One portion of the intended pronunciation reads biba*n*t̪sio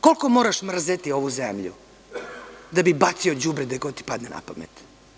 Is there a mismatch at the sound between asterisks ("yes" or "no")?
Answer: yes